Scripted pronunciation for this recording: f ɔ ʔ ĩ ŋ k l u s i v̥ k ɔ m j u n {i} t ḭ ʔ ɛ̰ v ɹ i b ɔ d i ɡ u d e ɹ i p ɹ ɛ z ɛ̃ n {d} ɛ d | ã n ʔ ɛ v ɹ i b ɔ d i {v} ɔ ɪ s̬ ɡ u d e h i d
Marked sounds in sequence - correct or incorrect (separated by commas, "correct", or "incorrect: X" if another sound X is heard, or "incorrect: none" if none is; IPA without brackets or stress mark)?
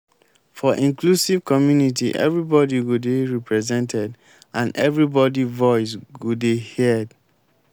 correct, incorrect: t, correct